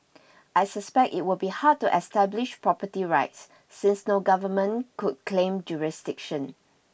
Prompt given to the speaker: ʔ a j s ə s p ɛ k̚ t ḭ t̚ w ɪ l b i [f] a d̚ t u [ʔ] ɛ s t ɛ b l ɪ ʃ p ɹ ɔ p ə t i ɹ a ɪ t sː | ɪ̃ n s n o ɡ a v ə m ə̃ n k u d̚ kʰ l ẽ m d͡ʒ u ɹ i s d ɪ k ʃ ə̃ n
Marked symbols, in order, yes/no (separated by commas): no, yes